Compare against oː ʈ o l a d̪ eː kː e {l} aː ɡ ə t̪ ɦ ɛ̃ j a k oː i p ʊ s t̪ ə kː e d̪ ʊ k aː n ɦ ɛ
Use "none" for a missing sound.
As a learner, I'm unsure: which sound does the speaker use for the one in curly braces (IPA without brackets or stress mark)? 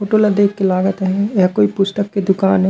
l